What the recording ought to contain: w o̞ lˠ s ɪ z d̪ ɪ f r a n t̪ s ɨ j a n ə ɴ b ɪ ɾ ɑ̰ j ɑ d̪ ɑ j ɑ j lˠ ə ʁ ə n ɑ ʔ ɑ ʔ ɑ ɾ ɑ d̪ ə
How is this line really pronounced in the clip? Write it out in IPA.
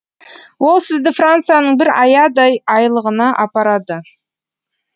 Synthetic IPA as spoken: w o̞ lˠ s ɪ z d̪ ɪ f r a n t̪ s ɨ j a n ə ɴ b ɪ ɾ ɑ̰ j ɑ d̪ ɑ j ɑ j lˠ ə ʁ ə n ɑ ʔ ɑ p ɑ ɾ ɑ d̪ ə